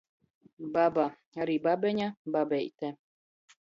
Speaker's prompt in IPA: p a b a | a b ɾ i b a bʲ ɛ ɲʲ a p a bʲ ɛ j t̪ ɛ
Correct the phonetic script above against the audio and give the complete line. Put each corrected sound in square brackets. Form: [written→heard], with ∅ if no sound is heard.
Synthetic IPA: [p→b] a b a | a [b→∅] ɾ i b a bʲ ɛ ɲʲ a [p→b] a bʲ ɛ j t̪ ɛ